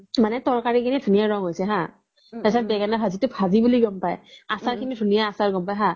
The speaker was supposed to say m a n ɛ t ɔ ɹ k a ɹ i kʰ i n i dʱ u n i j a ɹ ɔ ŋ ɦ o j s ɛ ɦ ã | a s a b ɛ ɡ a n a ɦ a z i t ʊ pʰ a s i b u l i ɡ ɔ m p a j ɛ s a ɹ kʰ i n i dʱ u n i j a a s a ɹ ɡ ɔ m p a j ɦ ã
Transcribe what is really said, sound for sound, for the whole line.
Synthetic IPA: m a n ɛ t ɔ ɹ k a ɹ i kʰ i n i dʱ u n i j a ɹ ɔ ŋ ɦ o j s ɛ ɦ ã | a s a b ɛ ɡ a n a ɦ a z i t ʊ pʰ a z i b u l i ɡ ɔ m p a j a s a ɹ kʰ i n i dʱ u n i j a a s a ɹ ɡ ɔ m p a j ɦ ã